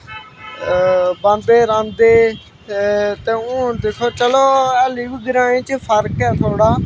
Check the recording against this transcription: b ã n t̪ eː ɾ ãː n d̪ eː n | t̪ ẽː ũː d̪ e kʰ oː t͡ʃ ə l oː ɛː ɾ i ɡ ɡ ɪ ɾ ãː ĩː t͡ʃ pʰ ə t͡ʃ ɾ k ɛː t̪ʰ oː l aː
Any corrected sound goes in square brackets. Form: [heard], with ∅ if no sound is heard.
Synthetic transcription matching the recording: b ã n [d̪] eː ɾ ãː n d̪ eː [∅] | t̪ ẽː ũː d̪ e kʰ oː t͡ʃ ə l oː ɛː [l] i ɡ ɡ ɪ ɾ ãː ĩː t͡ʃ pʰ ə [∅] ɾ k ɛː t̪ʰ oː [ɽ] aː

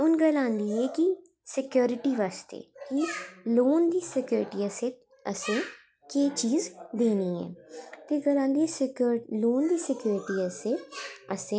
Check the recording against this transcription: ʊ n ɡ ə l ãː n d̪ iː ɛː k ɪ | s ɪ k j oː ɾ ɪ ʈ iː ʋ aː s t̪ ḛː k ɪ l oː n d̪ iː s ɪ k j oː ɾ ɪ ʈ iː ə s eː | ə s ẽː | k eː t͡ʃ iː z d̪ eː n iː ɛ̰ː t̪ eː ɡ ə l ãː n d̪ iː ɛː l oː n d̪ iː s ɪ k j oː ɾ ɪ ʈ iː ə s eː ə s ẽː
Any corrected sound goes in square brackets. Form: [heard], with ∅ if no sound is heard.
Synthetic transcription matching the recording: ʊ n ɡ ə l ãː n d̪ iː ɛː k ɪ | s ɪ k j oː ɾ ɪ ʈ iː ʋ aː s t̪ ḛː k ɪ l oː n d̪ iː s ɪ k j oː ɾ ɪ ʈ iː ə s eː | ə s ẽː | k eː t͡ʃ iː z d̪ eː n iː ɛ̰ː t̪ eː ɡ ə l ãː n d̪ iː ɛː l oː n d̪ iː s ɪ k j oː ɾ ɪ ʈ iː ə s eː ə s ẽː

